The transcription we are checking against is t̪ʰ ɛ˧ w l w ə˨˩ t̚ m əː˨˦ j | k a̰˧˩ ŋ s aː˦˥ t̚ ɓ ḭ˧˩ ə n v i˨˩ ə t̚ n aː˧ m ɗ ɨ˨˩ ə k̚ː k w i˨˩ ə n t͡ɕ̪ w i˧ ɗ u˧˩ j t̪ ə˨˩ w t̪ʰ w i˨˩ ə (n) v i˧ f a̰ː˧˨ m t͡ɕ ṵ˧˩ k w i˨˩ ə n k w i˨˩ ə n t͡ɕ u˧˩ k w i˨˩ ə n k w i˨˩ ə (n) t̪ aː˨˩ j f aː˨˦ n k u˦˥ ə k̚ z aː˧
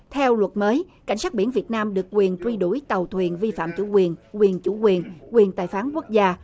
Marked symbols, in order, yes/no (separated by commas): yes, yes